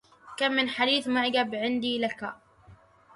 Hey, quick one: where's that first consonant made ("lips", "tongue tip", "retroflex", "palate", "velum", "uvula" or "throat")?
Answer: velum